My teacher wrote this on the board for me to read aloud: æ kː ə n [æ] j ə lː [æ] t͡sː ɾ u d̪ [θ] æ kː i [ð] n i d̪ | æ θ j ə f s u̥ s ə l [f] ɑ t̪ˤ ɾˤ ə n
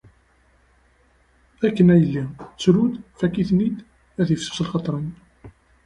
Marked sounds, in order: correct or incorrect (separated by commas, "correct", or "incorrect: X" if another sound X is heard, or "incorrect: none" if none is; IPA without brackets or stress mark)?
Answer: correct, incorrect: i, incorrect: f, incorrect: θ, incorrect: χ